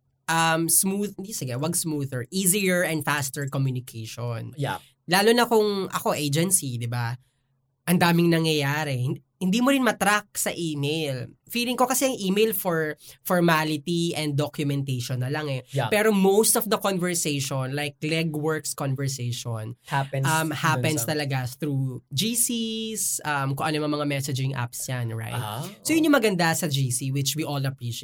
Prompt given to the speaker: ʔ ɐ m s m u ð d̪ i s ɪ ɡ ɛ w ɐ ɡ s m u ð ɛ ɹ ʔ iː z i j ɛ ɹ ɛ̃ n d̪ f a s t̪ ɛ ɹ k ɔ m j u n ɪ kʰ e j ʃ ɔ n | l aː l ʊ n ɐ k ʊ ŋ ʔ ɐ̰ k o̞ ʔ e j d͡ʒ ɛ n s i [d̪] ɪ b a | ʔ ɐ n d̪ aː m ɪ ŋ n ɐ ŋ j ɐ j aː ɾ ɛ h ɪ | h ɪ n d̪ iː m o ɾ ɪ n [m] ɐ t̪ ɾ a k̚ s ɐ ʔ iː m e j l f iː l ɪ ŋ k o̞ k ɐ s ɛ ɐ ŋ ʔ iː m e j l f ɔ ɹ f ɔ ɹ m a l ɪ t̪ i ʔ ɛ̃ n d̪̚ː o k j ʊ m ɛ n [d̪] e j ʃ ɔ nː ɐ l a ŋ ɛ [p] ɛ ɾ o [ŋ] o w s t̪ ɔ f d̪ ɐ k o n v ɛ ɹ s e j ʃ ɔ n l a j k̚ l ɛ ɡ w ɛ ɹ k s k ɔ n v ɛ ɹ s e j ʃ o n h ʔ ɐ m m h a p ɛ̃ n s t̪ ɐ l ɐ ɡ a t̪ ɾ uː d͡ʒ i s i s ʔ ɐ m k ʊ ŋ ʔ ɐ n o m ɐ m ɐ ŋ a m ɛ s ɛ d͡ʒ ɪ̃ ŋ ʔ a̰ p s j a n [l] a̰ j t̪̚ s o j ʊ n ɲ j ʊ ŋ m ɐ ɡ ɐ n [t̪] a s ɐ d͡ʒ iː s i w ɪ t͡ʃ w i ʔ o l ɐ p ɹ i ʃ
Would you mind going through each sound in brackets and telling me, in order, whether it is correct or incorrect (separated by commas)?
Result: correct, correct, incorrect, correct, incorrect, incorrect, incorrect